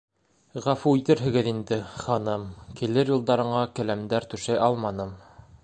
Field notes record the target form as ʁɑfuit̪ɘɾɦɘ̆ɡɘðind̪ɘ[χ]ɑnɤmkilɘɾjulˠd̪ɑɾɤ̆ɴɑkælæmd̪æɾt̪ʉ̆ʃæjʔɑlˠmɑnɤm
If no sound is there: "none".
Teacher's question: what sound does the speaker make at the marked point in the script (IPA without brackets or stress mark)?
χ